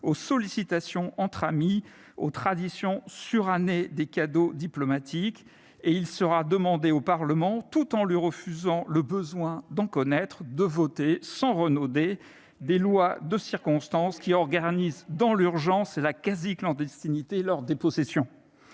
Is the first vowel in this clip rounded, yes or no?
yes